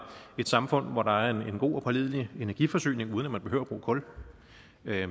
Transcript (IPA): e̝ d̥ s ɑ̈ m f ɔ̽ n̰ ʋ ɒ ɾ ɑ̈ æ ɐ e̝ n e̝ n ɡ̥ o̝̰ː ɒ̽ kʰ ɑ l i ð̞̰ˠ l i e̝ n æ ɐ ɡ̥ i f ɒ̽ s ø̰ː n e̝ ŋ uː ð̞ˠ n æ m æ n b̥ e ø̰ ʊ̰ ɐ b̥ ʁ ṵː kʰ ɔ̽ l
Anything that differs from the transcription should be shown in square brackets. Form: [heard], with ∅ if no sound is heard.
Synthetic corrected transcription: e̝ d̥ s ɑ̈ m f ɔ̽ n̰ ʋ ɒ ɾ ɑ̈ æ ɐ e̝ n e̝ n ɡ̥ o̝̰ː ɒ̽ [pʰ] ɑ l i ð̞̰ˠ l i e̝ n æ ɐ ɡ̥ i f ɒ̽ s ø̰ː n e̝ ŋ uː ð̞ˠ n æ m æ n b̥ e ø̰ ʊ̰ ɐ b̥ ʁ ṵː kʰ ɔ̽ l